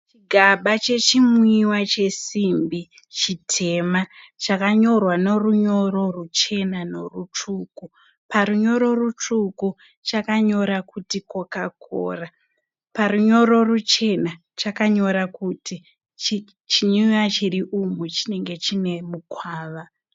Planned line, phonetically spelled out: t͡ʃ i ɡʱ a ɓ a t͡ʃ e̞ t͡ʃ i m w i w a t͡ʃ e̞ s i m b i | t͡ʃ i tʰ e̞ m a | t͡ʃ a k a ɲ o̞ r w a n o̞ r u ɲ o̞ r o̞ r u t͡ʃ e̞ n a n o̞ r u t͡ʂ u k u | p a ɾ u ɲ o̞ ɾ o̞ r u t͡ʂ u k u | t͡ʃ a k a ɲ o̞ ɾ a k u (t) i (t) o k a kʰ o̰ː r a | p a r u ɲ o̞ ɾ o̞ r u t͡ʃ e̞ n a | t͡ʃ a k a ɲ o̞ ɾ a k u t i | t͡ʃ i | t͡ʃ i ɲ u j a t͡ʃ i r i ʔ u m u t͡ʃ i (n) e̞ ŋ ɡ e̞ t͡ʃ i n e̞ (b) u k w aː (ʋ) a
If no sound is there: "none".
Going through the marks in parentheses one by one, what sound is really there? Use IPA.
t, k, n, m, ʋ

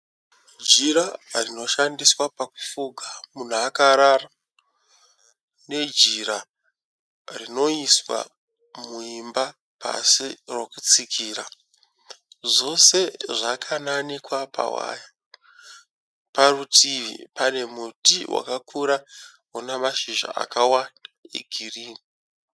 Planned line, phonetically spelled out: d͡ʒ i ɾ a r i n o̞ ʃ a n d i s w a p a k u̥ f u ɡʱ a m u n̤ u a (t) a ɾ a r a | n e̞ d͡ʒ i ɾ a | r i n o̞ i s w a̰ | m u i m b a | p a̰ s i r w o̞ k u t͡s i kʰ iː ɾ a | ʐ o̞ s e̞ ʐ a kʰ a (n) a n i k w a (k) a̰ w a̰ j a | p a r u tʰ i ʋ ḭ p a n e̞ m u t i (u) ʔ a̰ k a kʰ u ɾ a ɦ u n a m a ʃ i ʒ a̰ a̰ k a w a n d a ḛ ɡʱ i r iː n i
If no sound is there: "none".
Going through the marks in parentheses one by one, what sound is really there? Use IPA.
k, n, p, w

